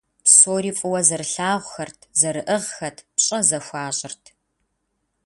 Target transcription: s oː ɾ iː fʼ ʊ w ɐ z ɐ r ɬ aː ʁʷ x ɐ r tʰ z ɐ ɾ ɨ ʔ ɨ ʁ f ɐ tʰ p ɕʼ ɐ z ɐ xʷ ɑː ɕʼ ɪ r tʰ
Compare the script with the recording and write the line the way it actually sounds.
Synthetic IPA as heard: s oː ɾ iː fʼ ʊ w ɐ z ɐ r ɬ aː ʁʷ x ɐ r tʰ z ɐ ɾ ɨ ʔ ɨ ʁ x ɐ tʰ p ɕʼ ɐ z ɐ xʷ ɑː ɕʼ ɪ r tʰ